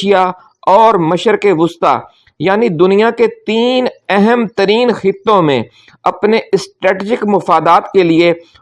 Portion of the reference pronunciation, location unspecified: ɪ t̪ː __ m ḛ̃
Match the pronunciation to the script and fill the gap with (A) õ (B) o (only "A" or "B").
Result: A